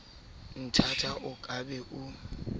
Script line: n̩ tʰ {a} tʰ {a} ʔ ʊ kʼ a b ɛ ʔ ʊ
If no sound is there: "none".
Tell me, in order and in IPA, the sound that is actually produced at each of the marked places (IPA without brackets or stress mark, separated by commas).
a, a